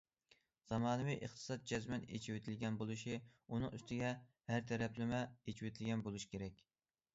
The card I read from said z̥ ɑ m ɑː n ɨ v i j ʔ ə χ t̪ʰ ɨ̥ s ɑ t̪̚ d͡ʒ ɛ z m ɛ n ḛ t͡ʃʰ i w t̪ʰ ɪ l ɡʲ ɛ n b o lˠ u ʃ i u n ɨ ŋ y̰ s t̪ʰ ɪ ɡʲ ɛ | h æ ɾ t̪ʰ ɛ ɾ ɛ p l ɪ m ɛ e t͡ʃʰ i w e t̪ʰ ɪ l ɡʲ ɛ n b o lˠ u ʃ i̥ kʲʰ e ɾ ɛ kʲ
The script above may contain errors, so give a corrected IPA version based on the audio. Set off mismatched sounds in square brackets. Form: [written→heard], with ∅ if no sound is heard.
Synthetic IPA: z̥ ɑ m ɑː n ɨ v i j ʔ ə χ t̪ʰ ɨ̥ s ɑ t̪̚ d͡ʒ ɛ z m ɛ n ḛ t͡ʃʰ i w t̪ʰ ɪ l ɡʲ ɛ n b o lˠ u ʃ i u n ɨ ŋ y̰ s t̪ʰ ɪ ɡʲ ɛ | h æ ɾ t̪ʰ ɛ ɾ ɛ p l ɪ m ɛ e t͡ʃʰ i w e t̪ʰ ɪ l ɡʲ ɛ n b o lˠ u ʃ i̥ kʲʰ e ɾ ɛ kʲ